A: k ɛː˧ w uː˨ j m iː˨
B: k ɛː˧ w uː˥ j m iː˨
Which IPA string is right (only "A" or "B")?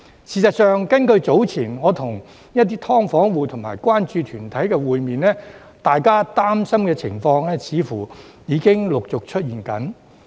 A